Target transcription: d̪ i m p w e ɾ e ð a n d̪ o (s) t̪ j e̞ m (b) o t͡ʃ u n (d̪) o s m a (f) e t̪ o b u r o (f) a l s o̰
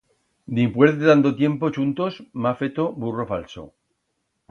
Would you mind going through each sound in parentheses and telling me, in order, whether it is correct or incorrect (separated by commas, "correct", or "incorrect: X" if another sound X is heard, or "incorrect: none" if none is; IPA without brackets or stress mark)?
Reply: incorrect: none, incorrect: p, incorrect: t̪, correct, correct